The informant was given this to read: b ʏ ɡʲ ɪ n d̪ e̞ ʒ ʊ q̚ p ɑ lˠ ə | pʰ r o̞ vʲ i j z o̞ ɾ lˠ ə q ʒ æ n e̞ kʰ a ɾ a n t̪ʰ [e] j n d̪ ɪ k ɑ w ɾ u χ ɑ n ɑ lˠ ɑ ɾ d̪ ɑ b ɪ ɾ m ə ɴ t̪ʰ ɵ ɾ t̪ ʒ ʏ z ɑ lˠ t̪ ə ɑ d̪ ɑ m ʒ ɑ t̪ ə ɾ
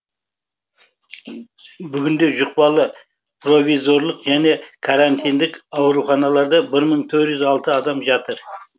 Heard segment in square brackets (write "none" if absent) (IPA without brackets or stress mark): i